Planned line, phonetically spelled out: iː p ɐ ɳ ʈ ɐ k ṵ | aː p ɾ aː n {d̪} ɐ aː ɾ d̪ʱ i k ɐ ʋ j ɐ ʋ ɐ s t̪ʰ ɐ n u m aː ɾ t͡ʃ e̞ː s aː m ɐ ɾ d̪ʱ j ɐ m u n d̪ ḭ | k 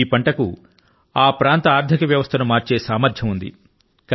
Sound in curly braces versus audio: incorrect: t̪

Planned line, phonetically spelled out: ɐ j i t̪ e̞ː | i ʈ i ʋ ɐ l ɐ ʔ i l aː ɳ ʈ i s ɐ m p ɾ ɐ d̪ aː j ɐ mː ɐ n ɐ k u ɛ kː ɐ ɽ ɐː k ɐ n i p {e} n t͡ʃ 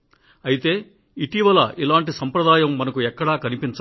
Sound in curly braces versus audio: incorrect: i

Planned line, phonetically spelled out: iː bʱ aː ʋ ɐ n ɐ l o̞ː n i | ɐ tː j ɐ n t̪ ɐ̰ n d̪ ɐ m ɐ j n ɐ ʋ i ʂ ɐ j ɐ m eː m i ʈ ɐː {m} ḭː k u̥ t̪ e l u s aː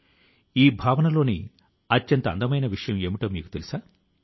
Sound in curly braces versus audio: correct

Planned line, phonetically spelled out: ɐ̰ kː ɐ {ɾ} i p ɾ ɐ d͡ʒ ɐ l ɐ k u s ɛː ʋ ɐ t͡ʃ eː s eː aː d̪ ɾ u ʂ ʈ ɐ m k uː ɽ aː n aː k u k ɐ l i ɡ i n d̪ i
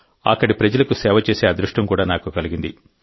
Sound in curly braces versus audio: incorrect: ɽ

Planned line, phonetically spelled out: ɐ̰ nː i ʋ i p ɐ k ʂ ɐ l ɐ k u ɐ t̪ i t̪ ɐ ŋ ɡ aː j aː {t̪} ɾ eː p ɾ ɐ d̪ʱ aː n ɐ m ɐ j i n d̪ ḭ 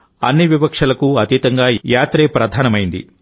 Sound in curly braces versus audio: correct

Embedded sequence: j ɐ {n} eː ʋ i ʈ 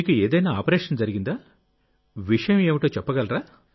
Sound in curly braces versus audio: incorrect: m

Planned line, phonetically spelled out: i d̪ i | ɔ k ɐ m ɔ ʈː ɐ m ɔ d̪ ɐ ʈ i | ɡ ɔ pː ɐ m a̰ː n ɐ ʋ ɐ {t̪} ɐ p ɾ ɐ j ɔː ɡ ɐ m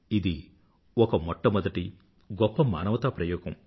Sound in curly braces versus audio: correct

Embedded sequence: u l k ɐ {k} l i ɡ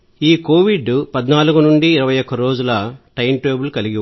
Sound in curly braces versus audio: incorrect: none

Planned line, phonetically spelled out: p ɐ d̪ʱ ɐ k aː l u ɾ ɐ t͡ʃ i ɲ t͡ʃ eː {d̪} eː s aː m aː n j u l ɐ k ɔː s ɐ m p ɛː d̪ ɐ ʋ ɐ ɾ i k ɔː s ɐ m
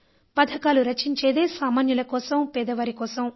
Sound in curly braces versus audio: correct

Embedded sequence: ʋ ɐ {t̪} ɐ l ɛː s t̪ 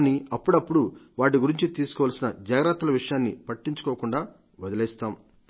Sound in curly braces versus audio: incorrect: d̪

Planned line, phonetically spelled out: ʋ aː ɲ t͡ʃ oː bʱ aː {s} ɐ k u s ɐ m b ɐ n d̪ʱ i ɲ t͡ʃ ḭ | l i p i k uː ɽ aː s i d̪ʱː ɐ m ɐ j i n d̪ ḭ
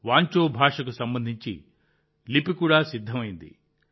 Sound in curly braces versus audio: incorrect: ʂ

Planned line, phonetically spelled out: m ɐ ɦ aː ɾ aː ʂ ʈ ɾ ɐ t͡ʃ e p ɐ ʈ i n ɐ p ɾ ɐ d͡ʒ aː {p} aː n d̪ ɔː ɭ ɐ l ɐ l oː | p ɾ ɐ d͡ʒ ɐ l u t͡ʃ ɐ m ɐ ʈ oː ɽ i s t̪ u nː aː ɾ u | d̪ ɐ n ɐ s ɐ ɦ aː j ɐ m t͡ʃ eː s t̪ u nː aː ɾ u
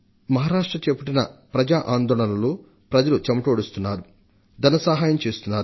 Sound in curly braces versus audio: incorrect: ʔ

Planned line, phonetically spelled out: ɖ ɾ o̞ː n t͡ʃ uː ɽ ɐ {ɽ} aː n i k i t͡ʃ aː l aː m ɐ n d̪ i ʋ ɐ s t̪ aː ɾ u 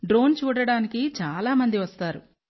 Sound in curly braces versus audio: correct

